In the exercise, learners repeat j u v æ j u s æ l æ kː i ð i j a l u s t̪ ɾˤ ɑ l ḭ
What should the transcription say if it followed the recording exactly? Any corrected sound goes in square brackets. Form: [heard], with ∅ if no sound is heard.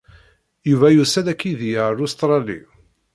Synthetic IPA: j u v æ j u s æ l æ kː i ð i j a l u s t̪ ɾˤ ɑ l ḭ